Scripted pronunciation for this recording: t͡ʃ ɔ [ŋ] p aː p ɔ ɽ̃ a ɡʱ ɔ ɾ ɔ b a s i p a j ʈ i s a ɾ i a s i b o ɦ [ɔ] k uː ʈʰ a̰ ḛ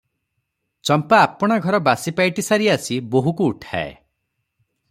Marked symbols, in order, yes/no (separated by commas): no, no